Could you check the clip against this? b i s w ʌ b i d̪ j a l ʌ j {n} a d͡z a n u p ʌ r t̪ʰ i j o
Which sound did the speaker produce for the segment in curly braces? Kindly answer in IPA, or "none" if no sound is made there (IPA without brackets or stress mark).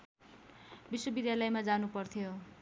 m